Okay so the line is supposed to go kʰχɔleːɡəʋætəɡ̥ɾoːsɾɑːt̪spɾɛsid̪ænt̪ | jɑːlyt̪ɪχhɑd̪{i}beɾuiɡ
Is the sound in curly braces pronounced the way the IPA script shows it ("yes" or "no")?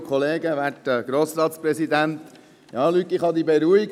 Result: yes